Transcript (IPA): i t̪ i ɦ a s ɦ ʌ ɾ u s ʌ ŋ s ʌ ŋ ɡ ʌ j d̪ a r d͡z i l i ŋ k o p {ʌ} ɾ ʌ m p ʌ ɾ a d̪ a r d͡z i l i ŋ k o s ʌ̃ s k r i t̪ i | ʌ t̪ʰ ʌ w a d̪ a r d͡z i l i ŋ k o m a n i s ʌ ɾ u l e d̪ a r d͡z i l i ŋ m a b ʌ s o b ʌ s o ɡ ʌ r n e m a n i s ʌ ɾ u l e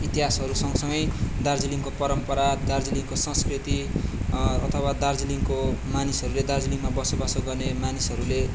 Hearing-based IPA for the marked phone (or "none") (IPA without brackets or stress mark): ʌ